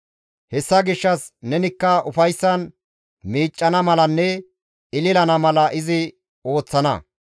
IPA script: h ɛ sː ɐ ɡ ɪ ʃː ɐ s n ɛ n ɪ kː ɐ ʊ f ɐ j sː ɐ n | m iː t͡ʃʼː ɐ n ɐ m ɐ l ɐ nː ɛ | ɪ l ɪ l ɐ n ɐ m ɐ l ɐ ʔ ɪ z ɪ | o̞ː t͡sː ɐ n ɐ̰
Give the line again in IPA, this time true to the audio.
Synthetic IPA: h ɛ sː ɐ ɡ ɪ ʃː ɐ s n ɛ n ɪ kː ɐ ʊ f ɐ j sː ɐ n | m iː t͡ʃʼː ɐ n ɐ m ɐ l ɐ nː ɛ | ɪ l ɪ l ɐ n ɐ m ɐ l ɐ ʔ ɪ z ɪ | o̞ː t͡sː ɐ n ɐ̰

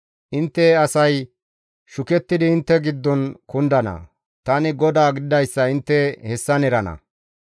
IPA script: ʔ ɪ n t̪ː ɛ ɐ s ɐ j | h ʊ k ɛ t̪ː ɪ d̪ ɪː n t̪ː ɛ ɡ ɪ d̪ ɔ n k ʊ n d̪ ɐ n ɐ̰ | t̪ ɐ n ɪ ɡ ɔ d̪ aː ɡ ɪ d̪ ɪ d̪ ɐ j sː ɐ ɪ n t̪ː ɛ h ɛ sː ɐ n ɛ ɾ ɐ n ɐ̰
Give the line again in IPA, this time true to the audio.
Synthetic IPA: ʔ ɪ n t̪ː ɛ ɐ s ɐ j | ʃ ʊ k ɛ t̪ː ɪ d̪ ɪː n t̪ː ɛ ɡ ɪ d̪ː ɔ n k ʊ n d̪ ɐ n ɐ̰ | t̪ ɐ n ɪ ɡ ɔ d̪ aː ɡ ɪ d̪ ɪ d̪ ɐ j sː ɐ ɪ n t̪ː ɛ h ɛ sː ɐ n ɛ ɾ ɐ n ɐ̰

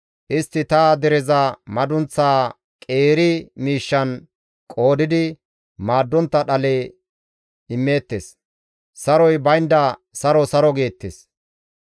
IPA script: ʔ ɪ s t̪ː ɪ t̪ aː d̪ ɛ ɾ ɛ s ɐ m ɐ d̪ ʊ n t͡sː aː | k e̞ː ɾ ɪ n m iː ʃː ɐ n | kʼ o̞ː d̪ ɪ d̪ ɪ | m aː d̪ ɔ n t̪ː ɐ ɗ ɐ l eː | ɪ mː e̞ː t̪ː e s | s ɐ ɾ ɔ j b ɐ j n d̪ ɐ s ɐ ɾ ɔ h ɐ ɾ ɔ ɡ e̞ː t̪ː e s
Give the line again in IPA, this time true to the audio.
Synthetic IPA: ʔ ɪ s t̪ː ɪ t̪ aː d̪ ɛ ɾ ɛ z ɐ m ɐ d̪ ʊ n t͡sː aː | kʼ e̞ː ɾ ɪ m iː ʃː ɐ n | kʼ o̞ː d̪ ɪ d̪ ɪ | m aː d̪ː ɔ n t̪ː ɐ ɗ ɐ l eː | ɪ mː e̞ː t̪ː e s | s ɐ ɾ ɔ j b ɐ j n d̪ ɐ s ɐ ɾ ɔ s ɐ ɾ ɔ ɡ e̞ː t̪ː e s

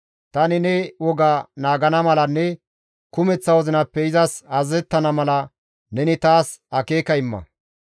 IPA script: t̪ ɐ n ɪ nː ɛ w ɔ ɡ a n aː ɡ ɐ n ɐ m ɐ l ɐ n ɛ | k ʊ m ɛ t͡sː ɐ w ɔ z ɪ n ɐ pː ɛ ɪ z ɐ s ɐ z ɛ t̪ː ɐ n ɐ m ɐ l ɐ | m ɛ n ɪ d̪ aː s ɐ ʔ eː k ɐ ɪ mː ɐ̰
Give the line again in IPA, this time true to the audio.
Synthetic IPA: t̪ ɐ n ɪ n ɛ w ɔ ɡ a n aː ɡ ɐ n ɐ m ɐ l ɐ nː ɛ | k ʊ m ɛ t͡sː ɐ w ɔ z ɪ n ɐ pː ɛ ɪ z ɐ s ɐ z ɛ t̪ː ɐ n ɐ m ɐ l ɐ | n ɛ n ɪ t̪ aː s ɐ k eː k ɐ ɪ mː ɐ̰

